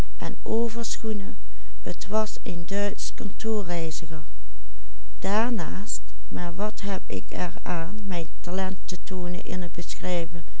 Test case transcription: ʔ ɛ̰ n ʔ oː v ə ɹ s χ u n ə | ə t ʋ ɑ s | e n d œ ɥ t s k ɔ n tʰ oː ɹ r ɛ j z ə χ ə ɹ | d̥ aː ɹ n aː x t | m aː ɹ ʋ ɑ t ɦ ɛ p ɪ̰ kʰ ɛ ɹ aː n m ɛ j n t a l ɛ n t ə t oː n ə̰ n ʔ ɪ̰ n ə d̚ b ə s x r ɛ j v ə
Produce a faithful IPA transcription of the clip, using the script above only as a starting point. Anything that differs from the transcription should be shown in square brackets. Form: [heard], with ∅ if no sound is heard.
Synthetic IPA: ʔ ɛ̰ n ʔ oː v ə ɹ s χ u n ə | ə t ʋ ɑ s | e n d œ ɥ t s k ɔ n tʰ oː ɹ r ɛ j z ə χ ə ɹ | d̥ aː ɹ n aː [s] t | m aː ɹ ʋ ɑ t ɦ ɛ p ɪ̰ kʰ ɛ ɹ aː n m ɛ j n t a l ɛ n t ə t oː n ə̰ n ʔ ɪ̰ n ə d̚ b ə s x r ɛ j v ə